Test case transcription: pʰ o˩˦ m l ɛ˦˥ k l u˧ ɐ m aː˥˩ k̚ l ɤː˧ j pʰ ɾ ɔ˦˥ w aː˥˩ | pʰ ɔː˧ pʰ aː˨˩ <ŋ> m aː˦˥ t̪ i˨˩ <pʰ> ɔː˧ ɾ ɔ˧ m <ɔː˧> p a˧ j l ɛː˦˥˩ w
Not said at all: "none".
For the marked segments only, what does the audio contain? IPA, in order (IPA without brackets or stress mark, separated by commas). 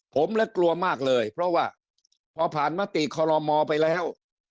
n, kʰ, ɔː˧